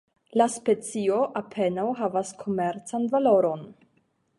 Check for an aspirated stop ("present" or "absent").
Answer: present